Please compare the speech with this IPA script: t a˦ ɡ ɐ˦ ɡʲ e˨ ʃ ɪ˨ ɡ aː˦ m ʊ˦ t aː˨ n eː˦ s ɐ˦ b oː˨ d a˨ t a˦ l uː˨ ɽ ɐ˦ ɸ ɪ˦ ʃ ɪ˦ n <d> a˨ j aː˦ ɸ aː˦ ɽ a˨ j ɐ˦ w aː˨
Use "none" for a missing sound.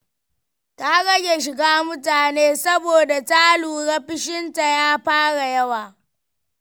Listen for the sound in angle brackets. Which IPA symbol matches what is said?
t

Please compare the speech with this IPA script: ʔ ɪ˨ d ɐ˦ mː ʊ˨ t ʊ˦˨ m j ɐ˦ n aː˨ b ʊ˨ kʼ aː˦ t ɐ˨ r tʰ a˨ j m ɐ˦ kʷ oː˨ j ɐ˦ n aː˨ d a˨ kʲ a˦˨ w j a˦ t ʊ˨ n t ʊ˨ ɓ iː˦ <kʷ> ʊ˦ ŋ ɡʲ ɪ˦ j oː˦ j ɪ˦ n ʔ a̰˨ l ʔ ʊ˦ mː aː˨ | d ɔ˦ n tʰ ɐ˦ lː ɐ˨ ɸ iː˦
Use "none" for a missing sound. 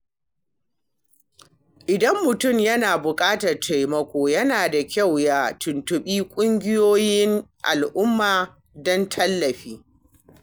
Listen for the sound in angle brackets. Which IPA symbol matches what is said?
kʷʼ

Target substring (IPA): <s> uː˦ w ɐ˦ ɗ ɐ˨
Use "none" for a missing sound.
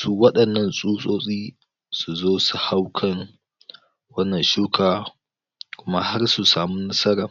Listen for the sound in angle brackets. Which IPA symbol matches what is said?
s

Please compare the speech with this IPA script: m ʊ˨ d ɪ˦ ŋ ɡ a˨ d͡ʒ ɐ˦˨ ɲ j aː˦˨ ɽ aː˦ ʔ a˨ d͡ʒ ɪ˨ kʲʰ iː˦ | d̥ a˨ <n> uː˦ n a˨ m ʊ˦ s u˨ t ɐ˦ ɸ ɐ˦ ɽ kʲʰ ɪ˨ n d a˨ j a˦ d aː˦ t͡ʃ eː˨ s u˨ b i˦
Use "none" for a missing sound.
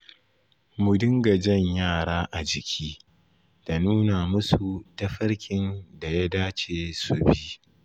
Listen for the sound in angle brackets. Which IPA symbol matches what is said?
n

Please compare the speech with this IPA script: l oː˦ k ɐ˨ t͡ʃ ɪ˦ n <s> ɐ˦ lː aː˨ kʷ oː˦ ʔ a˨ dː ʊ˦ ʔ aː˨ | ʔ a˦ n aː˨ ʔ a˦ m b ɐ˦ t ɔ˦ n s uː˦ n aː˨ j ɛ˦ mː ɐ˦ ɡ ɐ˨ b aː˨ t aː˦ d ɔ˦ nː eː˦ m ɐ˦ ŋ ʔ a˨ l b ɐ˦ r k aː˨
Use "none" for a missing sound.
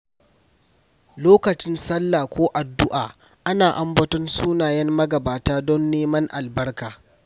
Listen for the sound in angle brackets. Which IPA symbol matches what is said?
s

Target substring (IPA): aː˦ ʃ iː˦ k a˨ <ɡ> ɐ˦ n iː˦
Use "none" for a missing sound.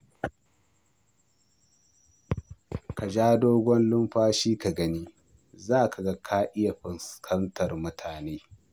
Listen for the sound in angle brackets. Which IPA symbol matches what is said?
ɡ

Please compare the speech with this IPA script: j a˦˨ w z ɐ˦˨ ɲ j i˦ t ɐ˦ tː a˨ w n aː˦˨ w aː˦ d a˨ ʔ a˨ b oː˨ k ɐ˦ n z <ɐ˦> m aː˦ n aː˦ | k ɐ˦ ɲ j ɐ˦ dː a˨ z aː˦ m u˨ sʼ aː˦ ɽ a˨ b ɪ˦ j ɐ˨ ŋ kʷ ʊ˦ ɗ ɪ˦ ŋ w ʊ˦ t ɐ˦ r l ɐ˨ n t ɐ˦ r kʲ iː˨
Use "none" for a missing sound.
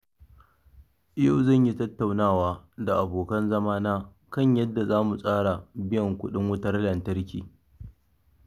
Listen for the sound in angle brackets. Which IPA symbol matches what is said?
ɐ˦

